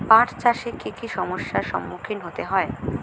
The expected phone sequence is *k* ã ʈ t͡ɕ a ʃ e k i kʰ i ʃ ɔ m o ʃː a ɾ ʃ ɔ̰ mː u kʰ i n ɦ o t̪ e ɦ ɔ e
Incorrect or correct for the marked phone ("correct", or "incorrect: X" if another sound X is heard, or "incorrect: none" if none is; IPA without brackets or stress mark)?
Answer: incorrect: p